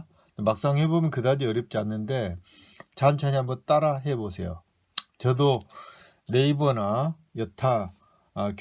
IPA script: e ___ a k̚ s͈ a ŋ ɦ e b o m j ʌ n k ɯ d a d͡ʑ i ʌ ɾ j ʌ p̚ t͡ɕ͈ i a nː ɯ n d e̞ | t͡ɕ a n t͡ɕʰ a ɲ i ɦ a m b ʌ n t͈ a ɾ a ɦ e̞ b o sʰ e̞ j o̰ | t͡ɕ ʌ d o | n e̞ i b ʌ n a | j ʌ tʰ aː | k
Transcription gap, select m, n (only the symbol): m